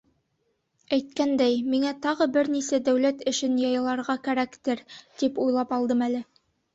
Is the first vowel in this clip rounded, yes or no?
no